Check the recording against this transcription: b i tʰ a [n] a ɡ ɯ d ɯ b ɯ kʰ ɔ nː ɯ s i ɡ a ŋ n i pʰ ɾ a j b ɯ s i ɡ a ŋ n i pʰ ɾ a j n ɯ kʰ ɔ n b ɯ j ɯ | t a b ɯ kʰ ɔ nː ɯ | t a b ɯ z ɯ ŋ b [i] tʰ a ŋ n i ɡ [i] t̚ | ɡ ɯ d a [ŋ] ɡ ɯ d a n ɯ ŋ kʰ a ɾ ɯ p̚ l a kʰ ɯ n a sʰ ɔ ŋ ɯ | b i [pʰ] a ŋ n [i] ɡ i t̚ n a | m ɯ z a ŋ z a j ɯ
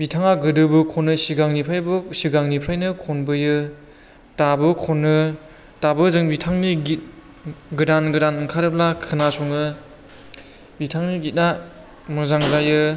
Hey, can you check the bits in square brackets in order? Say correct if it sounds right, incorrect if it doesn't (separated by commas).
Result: incorrect, correct, correct, incorrect, incorrect, correct